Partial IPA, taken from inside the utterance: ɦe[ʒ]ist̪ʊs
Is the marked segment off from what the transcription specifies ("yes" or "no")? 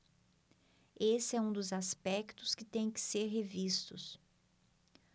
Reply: yes